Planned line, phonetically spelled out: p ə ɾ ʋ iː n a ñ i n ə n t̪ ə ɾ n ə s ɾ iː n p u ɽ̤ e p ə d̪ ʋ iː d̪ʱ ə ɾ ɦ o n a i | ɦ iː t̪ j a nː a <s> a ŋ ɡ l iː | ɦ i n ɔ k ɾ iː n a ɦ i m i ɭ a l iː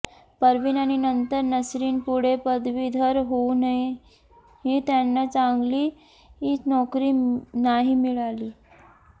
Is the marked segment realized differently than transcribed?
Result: yes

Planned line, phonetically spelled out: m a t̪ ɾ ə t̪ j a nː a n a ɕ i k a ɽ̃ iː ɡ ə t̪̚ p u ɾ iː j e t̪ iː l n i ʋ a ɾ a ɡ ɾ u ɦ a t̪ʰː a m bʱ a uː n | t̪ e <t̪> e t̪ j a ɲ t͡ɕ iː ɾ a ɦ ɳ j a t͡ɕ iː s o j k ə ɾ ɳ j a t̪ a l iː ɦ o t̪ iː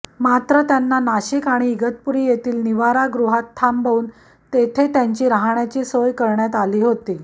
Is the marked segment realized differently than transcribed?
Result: yes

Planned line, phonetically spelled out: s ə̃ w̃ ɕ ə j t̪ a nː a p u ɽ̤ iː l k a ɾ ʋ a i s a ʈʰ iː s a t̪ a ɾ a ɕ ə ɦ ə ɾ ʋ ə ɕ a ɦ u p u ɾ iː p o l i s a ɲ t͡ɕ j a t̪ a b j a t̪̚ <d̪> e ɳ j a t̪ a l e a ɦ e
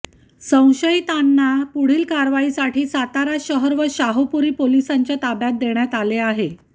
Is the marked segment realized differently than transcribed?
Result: no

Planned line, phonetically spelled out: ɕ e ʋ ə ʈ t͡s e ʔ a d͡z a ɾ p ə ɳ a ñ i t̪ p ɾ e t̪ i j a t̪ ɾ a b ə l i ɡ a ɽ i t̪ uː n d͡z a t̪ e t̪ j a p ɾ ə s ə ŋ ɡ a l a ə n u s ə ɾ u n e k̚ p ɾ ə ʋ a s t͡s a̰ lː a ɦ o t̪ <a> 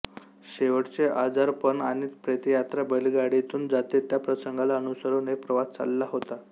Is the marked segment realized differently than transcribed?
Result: no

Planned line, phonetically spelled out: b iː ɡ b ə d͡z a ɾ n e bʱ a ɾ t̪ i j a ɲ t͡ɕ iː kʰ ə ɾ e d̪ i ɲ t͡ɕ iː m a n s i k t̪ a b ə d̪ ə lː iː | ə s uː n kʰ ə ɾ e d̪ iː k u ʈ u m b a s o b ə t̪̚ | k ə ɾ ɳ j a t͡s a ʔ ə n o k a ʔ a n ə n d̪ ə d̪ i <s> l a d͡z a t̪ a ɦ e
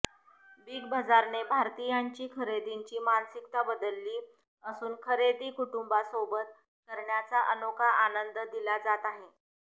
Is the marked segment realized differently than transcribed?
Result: yes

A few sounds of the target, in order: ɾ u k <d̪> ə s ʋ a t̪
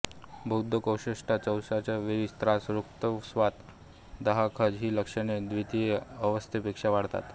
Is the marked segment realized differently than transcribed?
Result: yes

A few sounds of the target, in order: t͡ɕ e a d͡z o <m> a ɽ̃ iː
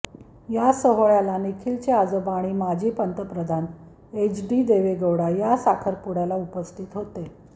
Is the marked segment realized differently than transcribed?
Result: yes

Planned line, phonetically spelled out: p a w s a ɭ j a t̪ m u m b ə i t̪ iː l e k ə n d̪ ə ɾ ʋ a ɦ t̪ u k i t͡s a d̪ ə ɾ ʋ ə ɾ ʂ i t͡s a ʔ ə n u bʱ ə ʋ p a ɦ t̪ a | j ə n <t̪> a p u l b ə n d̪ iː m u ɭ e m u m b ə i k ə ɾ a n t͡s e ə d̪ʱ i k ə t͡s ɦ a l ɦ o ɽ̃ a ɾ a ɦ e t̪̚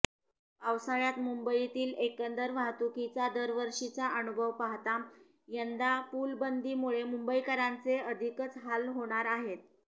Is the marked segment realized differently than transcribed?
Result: yes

